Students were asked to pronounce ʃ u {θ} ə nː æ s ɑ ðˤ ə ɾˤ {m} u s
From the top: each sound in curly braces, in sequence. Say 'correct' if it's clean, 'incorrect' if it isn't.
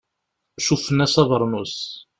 incorrect, incorrect

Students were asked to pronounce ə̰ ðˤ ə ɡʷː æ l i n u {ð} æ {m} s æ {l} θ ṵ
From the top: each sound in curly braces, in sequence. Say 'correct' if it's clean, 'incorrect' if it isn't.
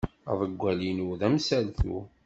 correct, correct, correct

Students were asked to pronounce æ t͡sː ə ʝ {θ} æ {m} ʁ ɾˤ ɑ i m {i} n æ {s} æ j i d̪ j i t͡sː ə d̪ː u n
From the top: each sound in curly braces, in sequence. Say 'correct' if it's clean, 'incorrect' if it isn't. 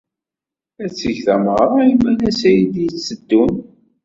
correct, correct, incorrect, correct

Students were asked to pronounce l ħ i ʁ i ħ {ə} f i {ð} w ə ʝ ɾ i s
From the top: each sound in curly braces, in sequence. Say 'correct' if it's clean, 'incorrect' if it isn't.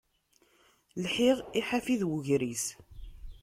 incorrect, correct

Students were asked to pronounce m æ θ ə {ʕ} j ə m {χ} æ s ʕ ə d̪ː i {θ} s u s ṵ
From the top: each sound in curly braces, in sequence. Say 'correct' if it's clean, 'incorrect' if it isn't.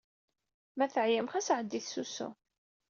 correct, correct, correct

